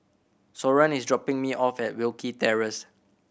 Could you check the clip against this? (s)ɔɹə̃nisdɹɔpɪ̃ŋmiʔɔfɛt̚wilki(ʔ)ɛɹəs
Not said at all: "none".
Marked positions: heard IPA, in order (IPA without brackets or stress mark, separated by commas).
s, t